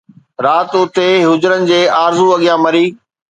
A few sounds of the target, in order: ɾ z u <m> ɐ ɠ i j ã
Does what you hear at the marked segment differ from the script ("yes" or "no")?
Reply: yes